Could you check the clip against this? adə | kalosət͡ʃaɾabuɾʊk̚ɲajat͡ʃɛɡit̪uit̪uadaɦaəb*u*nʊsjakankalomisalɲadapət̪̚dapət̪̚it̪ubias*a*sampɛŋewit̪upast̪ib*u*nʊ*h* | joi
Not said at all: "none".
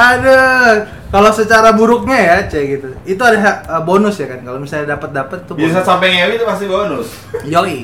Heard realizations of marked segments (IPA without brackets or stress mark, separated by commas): o, a, o, s